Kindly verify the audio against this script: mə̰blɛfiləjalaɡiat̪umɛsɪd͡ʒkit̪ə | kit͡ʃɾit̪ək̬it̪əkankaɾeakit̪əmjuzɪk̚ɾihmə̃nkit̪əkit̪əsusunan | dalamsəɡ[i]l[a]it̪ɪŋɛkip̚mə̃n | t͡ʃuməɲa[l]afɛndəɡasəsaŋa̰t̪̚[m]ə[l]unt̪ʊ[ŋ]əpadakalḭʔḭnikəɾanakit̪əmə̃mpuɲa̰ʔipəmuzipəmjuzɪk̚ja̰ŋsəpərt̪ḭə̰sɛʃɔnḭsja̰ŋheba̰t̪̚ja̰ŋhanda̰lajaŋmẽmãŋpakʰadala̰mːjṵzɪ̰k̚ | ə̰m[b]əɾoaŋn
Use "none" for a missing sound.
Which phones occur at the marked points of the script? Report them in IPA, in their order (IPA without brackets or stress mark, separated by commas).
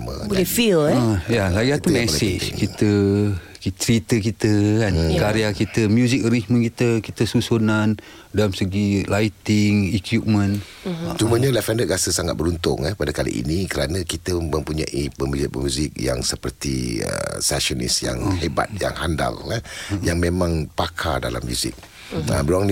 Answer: i, a, l, b, ɾ, ŋ, b